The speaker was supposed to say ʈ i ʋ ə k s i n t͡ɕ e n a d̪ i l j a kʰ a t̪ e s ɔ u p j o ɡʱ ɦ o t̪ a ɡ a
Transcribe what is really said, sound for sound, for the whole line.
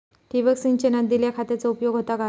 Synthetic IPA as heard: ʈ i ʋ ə k s i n t͡ɕ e n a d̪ i l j a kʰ a t̪ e t͡s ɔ u p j o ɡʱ ɦ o t̪ a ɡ a